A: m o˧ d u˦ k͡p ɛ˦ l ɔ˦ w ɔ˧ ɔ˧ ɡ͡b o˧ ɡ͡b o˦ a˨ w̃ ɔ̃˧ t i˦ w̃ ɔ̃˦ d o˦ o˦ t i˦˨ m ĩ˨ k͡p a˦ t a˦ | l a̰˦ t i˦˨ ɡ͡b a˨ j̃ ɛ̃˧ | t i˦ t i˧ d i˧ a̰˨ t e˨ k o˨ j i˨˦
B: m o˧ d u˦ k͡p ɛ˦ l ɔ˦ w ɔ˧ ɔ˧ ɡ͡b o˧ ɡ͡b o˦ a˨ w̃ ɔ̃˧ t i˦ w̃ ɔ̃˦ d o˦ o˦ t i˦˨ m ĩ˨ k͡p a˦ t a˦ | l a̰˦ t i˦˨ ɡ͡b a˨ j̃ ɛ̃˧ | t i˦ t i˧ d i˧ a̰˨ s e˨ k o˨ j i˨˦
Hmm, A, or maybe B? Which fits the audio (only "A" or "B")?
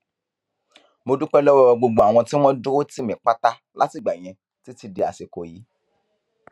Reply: B